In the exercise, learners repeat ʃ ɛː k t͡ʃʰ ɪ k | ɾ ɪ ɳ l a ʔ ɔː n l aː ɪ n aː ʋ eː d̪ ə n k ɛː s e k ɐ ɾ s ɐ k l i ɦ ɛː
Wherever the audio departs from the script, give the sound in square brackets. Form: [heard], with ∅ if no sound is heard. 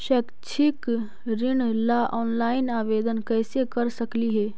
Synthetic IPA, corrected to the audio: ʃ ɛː k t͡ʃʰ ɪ k | ɾ ɪ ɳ l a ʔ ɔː n l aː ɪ n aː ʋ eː d̪ ə n k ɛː s e k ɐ ɾ s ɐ k l i ɦ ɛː